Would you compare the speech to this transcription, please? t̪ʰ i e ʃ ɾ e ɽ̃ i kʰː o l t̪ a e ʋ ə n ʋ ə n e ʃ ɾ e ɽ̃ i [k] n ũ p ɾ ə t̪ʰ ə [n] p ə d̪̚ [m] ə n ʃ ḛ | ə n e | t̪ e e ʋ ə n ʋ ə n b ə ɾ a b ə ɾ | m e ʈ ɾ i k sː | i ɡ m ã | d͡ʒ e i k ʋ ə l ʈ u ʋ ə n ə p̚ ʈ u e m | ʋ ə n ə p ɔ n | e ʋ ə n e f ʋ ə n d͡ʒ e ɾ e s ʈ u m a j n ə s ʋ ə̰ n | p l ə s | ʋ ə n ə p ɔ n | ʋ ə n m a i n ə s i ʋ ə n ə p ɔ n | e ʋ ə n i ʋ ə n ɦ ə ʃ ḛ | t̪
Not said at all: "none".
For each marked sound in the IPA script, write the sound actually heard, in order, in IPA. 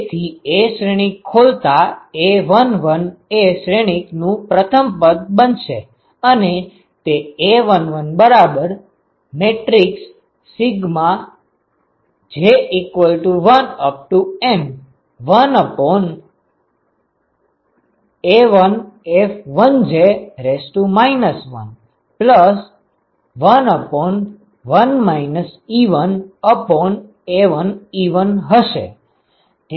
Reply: k, m, b

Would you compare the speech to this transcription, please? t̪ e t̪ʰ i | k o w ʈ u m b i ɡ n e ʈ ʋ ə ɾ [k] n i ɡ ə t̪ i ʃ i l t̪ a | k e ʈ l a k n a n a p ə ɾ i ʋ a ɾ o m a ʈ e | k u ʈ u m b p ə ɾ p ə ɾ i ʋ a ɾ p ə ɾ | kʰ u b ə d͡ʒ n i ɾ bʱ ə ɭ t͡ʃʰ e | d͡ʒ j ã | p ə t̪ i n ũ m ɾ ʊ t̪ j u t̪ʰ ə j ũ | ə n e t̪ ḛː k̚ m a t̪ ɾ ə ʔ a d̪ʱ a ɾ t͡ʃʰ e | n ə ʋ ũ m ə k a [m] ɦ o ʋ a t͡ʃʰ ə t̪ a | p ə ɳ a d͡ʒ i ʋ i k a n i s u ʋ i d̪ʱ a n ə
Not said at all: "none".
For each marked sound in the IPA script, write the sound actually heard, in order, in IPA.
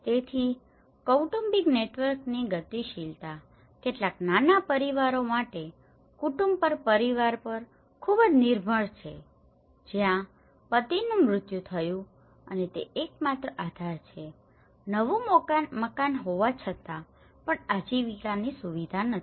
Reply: k, n

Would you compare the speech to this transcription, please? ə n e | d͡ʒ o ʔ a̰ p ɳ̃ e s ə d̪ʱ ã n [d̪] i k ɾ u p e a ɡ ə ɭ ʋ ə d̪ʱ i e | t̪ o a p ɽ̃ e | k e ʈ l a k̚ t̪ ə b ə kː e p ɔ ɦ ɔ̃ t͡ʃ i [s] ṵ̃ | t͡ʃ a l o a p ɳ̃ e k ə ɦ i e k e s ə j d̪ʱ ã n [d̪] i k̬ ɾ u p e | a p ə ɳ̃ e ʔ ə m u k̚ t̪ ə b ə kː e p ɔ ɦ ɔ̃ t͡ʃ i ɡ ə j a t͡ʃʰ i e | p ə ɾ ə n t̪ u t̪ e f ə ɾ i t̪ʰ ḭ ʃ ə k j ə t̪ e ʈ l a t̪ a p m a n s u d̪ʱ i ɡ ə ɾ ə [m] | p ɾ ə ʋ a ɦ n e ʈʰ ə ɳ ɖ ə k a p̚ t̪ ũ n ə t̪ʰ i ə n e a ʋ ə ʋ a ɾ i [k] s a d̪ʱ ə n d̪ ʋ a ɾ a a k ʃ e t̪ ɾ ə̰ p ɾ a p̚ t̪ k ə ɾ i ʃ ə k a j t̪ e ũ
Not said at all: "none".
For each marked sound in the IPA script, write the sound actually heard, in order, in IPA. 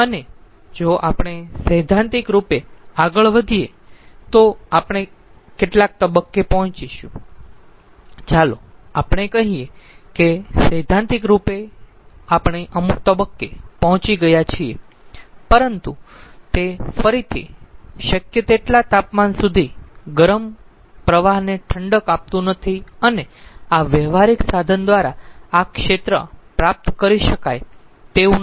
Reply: t̪, ʃ, t̪, m, k

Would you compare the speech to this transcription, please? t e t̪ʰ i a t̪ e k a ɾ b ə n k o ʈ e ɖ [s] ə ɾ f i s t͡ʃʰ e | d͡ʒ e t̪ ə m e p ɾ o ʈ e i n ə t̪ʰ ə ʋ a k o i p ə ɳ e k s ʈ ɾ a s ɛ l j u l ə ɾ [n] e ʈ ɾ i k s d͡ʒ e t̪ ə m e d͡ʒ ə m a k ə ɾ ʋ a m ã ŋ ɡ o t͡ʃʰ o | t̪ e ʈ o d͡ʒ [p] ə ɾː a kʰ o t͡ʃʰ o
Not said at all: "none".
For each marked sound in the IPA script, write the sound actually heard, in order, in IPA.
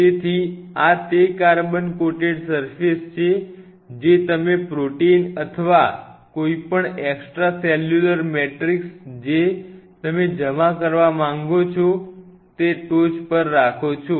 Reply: s, m, p

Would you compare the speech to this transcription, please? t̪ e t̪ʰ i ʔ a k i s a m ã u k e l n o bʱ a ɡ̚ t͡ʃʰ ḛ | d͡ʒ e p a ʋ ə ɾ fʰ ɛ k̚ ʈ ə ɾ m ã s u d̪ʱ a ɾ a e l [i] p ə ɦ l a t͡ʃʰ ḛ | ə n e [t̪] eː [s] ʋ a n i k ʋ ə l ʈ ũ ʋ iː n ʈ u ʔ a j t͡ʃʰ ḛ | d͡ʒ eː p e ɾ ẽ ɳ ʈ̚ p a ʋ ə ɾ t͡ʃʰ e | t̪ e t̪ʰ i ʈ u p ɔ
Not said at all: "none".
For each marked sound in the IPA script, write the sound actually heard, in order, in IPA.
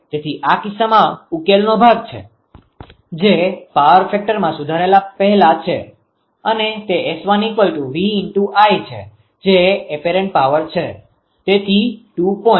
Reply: a, t̪, s

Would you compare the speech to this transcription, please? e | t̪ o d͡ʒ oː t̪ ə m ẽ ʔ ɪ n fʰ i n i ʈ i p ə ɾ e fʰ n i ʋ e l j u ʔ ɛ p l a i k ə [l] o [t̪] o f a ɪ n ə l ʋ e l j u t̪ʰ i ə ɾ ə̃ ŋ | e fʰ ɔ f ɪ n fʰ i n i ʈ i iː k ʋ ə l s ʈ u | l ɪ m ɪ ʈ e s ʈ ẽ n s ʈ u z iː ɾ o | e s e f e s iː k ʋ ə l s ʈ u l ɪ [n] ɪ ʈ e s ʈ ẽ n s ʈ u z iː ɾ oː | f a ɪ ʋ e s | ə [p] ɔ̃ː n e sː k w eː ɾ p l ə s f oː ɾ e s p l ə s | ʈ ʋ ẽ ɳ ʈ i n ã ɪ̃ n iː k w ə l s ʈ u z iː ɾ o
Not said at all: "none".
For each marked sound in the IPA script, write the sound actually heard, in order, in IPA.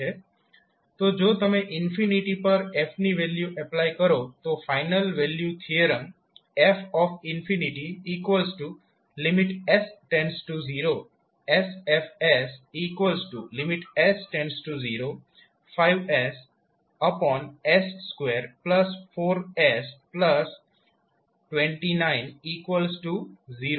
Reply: ɾ, t̪, m, p

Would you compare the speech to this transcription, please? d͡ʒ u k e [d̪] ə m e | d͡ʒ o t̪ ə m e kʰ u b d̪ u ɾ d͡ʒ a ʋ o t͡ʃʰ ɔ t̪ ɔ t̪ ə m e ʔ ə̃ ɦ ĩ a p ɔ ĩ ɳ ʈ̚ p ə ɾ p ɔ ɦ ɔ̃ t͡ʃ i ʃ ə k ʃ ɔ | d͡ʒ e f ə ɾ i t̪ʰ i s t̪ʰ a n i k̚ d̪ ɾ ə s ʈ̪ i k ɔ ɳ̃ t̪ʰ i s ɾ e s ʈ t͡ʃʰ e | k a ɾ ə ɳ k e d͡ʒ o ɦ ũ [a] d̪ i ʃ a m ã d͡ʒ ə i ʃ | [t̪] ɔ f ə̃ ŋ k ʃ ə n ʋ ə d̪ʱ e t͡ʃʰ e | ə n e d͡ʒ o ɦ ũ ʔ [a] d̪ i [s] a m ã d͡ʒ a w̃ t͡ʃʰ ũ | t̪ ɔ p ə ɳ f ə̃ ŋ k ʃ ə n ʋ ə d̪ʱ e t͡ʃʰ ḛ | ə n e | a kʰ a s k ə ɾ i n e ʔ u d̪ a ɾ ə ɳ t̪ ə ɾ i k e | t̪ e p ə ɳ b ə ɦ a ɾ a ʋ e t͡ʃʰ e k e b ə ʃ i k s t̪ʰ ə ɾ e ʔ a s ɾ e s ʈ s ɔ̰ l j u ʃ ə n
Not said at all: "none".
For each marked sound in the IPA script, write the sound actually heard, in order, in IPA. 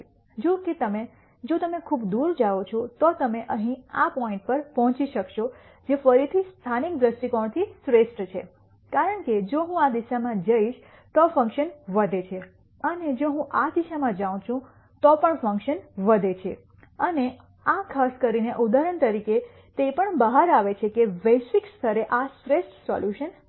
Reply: t̪, a, t̪, a, ʃ

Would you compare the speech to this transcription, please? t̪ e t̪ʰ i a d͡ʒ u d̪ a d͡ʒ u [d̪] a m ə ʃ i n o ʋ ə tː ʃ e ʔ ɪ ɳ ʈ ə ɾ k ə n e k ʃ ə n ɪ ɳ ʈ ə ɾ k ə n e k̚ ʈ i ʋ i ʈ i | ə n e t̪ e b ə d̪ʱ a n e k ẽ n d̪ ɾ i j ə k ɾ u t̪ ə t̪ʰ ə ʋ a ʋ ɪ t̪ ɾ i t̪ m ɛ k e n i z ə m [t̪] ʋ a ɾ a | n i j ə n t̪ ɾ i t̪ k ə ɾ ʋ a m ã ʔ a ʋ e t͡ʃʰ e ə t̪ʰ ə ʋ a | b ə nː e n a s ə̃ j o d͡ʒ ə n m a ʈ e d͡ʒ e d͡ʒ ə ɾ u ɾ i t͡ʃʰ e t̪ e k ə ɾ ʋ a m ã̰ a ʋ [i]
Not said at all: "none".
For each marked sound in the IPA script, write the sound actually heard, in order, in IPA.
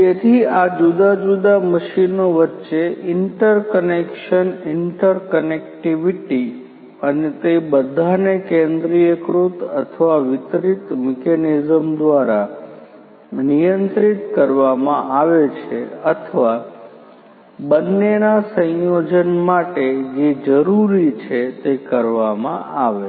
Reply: d̪, d̪, e

